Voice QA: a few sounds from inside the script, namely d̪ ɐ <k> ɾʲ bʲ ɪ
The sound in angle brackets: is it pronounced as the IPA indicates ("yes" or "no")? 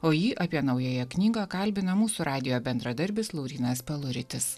no